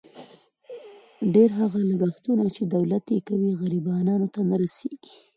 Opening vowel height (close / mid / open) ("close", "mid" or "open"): mid